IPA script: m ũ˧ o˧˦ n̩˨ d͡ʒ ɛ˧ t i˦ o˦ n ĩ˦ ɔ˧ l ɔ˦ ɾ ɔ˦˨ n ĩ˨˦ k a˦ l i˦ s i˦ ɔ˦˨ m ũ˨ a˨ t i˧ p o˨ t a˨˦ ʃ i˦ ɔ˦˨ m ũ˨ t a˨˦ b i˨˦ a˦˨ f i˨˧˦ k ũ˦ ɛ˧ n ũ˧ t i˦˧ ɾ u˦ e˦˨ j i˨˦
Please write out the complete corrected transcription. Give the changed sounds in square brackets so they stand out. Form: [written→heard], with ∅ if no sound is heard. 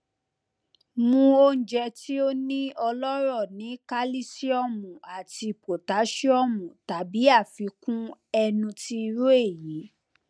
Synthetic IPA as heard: m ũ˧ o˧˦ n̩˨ d͡ʒ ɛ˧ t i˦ o˦ n ĩ˦ ɔ˧ l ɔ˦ ɾ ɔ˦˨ n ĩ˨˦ k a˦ l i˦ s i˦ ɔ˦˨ m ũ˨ a˨ t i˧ p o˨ t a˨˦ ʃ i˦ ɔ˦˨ m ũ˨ t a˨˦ b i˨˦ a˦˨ f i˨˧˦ k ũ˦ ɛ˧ n ũ˧ t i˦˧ ɾ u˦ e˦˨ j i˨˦

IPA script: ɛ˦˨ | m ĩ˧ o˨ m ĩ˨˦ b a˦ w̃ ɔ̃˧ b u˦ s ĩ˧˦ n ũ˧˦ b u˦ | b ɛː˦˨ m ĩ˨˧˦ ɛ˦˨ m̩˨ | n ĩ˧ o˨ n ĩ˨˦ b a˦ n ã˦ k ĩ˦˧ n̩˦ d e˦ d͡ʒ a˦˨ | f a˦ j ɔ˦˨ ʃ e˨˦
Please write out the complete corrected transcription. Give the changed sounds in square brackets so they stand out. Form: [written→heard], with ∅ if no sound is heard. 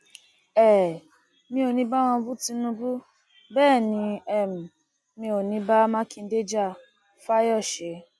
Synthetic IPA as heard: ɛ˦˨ | m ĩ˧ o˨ [m→n] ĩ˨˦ b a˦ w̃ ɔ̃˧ b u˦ [s→t] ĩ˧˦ n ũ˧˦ b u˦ | b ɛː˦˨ [m→n] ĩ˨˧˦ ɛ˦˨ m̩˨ | [n→m] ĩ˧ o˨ n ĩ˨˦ b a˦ [n→m] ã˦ k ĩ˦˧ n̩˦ d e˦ d͡ʒ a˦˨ | f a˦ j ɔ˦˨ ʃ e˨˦

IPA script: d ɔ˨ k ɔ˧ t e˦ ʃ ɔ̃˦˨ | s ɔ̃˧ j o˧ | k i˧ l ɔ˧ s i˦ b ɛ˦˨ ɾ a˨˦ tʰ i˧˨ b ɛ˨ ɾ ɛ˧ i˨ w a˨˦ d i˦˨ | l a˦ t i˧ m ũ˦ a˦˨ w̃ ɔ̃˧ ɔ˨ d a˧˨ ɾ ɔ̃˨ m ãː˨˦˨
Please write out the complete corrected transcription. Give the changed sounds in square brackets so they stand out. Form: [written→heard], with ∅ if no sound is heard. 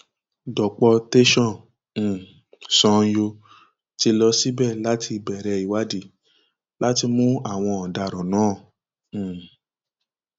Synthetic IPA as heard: d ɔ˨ [k→k͡p] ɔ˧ t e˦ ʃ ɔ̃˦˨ | s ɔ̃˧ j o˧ | [k→t] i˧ l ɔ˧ s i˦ b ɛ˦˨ [ɾ→l] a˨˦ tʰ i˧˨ b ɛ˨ ɾ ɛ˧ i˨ w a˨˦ d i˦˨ | l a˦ t i˧ m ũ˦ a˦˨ w̃ ɔ̃˧ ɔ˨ d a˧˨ ɾ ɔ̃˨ [m→n] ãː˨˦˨

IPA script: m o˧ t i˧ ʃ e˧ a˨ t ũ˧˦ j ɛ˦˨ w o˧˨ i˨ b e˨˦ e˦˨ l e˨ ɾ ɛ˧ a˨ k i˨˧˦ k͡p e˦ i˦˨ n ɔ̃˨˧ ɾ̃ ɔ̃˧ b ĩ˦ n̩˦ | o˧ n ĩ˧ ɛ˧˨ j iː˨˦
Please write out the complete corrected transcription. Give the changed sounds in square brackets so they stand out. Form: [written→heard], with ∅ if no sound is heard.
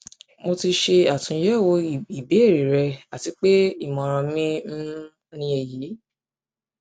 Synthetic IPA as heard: m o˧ t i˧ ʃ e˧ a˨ t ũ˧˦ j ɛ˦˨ w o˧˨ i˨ b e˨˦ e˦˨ [l→ɾ] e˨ ɾ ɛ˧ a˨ [k→t] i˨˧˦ k͡p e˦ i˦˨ [n→m] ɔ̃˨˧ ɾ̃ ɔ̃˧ [b→m] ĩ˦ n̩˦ | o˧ n ĩ˧ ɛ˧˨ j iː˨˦

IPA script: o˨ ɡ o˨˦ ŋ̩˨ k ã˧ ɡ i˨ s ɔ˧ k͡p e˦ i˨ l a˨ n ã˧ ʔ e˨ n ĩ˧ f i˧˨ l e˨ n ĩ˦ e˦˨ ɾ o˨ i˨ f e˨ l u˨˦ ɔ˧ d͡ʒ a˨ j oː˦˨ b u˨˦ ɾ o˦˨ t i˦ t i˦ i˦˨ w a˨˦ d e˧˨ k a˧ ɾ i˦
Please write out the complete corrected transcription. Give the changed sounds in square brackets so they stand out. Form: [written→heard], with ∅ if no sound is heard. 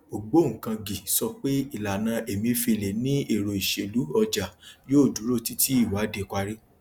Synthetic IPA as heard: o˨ [ɡ→ɡ͡b] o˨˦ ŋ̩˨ k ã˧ ɡ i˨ s ɔ˧ k͡p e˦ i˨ l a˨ n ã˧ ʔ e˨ [n→m] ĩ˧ f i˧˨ l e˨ n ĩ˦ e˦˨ ɾ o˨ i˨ [f→ʃ] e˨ l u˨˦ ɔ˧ d͡ʒ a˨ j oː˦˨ [b→d] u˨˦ ɾ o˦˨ t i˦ t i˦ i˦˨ w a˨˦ d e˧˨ k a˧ ɾ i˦

